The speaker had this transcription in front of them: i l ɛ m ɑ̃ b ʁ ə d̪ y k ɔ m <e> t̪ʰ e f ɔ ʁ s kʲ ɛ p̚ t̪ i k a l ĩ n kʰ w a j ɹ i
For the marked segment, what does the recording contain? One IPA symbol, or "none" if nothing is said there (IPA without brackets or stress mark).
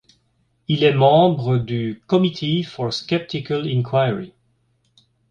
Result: i